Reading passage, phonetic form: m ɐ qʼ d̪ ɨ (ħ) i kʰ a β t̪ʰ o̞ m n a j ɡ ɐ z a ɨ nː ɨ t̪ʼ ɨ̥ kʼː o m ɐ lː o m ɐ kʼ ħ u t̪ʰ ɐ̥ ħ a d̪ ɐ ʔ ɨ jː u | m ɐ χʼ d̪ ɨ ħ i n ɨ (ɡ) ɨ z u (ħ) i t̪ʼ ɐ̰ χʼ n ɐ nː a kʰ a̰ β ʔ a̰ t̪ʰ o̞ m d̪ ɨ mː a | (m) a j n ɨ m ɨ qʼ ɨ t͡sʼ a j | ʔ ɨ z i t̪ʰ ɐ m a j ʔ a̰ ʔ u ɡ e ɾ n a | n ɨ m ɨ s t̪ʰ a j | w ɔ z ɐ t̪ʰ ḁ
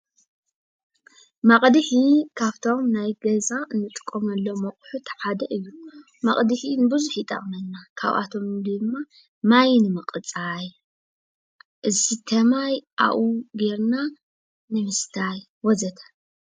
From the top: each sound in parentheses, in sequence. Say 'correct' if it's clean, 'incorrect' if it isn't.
correct, incorrect, correct, correct

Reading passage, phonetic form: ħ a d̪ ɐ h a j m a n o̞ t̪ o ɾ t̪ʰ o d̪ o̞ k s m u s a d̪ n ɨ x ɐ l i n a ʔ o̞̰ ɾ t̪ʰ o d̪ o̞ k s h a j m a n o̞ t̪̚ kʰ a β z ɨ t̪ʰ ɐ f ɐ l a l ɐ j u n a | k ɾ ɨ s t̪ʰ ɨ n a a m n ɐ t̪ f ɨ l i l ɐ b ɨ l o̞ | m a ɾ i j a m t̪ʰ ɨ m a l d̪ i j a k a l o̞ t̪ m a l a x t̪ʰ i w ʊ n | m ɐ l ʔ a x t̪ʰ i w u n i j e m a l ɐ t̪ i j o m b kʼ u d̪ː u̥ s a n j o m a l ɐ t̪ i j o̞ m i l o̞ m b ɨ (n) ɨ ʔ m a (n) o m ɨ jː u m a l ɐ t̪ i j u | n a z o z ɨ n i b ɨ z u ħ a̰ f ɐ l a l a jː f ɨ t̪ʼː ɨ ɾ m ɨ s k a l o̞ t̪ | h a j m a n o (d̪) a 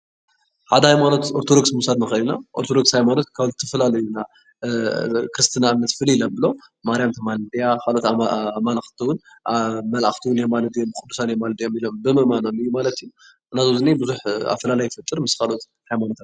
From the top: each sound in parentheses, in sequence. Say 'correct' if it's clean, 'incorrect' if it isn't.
incorrect, correct, incorrect

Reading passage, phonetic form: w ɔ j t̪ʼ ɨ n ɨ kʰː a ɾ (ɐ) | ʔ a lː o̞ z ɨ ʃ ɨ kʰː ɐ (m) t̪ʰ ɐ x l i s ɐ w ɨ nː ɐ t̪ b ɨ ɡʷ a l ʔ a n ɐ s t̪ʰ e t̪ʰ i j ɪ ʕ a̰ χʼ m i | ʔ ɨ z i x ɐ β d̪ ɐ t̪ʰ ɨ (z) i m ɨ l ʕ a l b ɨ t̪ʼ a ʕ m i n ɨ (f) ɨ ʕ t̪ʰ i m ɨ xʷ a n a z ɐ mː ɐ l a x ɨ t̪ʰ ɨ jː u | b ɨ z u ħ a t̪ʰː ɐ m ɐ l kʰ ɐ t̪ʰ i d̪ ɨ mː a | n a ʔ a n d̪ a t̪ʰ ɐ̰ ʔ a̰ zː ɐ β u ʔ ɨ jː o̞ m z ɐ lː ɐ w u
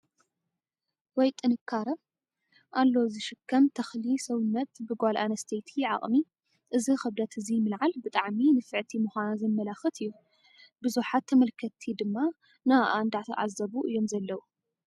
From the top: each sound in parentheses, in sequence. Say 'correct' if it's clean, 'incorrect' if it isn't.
correct, correct, correct, correct

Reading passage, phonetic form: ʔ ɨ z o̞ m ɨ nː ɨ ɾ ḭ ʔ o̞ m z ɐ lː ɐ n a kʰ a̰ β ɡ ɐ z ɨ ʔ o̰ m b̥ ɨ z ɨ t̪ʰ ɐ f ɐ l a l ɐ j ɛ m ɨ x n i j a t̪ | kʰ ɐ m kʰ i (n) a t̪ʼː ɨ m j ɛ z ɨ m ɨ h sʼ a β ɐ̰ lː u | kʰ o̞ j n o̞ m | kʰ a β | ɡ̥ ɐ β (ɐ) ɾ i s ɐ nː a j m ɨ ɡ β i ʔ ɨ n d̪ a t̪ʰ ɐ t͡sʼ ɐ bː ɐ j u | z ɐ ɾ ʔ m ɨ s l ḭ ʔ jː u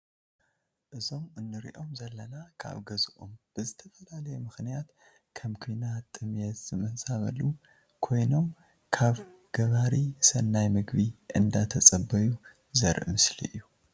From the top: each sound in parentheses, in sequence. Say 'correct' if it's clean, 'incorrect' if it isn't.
correct, incorrect

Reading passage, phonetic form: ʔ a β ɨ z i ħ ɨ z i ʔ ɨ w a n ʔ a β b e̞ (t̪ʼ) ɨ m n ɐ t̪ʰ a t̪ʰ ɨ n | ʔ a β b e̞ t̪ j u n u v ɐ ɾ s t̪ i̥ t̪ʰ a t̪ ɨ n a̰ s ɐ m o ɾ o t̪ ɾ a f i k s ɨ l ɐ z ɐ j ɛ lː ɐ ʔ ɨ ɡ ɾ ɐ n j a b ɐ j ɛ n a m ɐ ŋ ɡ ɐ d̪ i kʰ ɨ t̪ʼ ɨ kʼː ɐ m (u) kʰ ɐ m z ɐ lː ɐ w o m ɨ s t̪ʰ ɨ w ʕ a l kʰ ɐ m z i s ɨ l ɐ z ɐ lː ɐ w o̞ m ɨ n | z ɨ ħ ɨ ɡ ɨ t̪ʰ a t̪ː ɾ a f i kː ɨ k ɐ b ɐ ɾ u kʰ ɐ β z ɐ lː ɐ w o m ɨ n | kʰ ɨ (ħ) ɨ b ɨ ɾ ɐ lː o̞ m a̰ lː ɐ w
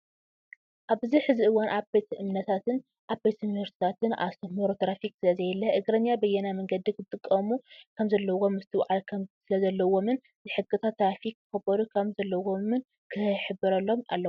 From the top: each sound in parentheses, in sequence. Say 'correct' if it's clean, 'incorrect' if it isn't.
incorrect, correct, correct

